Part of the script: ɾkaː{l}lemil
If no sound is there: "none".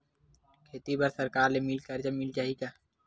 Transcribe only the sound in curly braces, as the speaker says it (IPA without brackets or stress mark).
ɾ